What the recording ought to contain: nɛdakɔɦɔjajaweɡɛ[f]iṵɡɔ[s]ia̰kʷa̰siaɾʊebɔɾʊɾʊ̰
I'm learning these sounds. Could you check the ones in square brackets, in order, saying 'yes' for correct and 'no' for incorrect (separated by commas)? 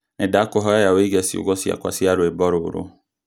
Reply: no, yes